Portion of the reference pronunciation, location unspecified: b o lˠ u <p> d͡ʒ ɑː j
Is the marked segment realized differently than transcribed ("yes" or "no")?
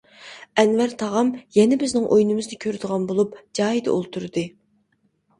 no